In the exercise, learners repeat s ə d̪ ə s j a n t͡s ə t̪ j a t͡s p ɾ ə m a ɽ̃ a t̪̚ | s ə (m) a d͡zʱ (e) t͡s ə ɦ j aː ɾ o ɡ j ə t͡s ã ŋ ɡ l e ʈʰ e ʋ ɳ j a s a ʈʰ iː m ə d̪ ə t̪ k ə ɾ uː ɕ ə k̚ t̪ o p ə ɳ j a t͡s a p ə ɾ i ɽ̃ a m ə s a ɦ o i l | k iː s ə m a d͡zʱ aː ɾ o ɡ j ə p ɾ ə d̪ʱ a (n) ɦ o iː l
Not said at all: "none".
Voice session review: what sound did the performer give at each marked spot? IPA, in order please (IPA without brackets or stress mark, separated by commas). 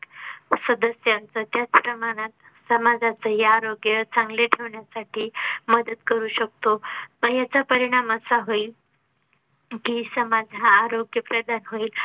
m, a, n